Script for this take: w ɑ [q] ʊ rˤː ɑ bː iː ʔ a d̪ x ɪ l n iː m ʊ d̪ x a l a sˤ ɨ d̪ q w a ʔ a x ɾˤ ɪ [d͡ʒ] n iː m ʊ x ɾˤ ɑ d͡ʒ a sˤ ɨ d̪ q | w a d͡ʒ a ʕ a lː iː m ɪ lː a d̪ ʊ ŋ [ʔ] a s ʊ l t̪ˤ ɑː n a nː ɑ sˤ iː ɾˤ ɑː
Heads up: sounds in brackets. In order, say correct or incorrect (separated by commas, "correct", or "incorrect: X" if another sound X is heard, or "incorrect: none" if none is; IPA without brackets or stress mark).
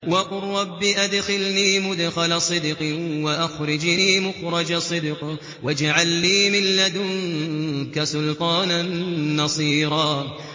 correct, correct, incorrect: k